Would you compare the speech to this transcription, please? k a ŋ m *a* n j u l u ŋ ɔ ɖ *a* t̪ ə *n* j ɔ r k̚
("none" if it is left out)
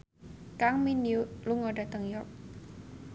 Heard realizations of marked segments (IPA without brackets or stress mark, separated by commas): i, a, ŋ